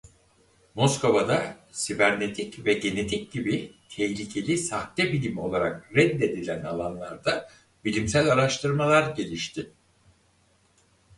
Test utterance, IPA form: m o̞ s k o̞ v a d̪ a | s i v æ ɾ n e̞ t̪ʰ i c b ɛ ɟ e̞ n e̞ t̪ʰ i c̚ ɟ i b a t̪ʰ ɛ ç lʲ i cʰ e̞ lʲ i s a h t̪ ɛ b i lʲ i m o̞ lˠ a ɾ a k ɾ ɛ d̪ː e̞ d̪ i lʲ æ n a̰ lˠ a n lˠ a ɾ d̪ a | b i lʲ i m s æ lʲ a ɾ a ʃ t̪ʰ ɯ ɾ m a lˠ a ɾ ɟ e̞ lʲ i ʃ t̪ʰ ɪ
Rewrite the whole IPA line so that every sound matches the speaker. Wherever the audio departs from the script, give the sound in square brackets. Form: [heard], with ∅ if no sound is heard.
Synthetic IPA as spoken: m o̞ s k o̞ v a d̪ a | s i v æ ɾ n e̞ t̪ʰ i c [v] ɛ ɟ e̞ n e̞ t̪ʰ i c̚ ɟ i b [i] t̪ʰ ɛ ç lʲ i cʰ e̞ lʲ i s a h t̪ ɛ b i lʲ i m o̞ lˠ a ɾ a k ɾ ɛ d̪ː e̞ d̪ i lʲ æ n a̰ lˠ a n lˠ a ɾ d̪ a | b i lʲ i m s æ lʲ a ɾ a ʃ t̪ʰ ɯ ɾ m a lˠ a ɾ ɟ e̞ lʲ i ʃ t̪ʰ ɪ

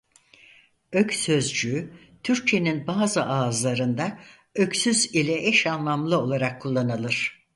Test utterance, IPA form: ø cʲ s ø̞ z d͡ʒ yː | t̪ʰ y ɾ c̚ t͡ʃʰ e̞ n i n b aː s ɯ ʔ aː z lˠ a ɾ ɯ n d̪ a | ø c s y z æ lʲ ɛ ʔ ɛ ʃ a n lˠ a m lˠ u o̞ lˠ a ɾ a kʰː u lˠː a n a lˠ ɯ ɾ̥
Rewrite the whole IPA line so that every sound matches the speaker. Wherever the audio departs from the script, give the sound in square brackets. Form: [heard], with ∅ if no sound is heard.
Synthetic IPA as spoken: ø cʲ s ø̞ z d͡ʒ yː | t̪ʰ y ɾ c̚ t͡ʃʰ e̞ n i n b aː [z] ɯ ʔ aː z lˠ a ɾ ɯ n d̪ a | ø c s y z [i] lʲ ɛ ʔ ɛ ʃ a n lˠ a m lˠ [ɯ] o̞ lˠ a ɾ a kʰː u lˠː a n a lˠ ɯ ɾ̥

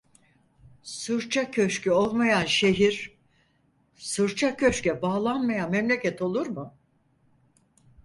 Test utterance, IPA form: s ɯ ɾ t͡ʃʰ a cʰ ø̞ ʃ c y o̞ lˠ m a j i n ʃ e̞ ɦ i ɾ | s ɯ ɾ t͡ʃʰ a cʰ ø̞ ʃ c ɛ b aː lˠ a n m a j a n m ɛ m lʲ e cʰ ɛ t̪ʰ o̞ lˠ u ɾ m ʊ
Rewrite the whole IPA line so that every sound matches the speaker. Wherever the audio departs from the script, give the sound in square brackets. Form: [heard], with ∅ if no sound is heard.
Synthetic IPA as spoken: s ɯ ɾ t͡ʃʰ a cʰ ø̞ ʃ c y o̞ lˠ m a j [a] n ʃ e̞ ɦ i ɾ | s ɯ ɾ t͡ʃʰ a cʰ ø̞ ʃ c ɛ b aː lˠ a n m a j a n m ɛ m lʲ e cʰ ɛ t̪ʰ o̞ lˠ u ɾ m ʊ

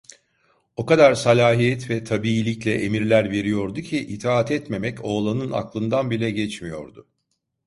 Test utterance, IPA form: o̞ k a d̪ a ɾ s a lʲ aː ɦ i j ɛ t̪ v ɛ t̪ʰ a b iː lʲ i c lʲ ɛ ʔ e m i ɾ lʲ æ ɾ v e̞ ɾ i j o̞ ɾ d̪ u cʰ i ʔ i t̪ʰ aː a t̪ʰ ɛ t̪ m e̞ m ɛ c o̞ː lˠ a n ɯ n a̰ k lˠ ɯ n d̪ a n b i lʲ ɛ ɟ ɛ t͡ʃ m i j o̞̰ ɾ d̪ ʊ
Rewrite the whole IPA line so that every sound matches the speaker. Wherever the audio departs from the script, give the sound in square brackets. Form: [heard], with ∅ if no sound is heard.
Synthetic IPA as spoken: o̞ k a d̪ a ɾ s a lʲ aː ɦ i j ɛ t̪ v ɛ t̪ʰ a b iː lʲ i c lʲ ɛ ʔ e m i ɾ lʲ æ ɾ v e̞ ɾ i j o̞ ɾ d̪ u cʰ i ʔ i t̪ʰ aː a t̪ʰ ɛ t̪ m e̞ m ɛ c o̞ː lˠ a n ɯ n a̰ k lˠ ɯ n d̪ a n b i lʲ ɛ ɟ ɛ t͡ʃ m i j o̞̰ ɾ d̪ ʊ

